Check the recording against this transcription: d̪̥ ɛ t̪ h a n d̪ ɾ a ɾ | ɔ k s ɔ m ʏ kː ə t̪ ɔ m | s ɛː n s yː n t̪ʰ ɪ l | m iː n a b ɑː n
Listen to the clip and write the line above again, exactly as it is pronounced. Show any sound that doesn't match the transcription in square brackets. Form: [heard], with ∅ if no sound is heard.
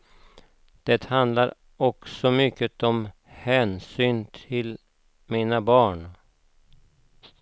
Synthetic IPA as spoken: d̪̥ ɛ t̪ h a n d̪ [l] a ɾ | ɔ k s ɔ m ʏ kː ə t̪ ɔ m | [h] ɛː n s yː n t̪ʰ ɪ l | m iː n a b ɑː [ɳ]